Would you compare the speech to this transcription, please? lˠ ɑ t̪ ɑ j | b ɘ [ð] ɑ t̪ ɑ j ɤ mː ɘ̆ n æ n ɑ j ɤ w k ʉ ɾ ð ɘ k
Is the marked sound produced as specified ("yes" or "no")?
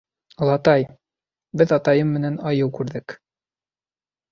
yes